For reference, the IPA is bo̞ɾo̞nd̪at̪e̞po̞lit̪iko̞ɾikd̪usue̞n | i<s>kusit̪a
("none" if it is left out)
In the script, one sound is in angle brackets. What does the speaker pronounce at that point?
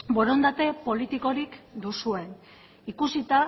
none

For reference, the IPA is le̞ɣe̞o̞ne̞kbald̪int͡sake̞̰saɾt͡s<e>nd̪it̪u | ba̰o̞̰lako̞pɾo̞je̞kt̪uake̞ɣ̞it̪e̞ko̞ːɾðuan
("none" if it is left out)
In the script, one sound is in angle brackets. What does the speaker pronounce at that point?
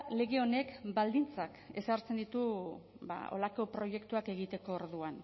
e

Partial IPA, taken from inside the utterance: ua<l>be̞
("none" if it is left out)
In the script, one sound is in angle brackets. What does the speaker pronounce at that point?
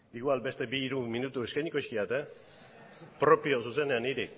l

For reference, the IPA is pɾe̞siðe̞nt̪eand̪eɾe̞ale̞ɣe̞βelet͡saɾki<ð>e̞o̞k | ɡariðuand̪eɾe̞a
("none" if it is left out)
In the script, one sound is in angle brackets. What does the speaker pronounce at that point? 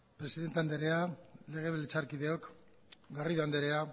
ð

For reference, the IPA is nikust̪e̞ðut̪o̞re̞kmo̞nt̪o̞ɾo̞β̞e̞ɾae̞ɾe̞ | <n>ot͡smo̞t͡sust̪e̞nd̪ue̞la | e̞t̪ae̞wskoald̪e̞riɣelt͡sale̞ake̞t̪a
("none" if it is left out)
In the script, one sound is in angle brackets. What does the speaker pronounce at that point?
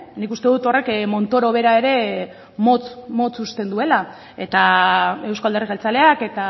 m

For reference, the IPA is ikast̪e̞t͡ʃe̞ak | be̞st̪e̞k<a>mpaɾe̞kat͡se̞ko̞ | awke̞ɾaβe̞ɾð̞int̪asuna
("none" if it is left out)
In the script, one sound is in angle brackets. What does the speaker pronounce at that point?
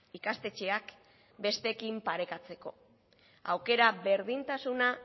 i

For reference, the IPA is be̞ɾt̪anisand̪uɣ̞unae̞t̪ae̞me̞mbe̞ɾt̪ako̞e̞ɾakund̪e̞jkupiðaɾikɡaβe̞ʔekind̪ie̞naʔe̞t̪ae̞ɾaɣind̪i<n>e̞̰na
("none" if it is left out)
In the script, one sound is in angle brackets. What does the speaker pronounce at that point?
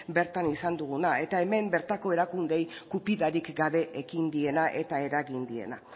none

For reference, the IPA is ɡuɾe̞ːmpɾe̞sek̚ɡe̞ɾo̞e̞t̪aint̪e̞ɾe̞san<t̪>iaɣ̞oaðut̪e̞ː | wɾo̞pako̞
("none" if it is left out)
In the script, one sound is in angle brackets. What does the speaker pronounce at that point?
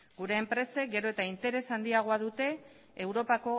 d̪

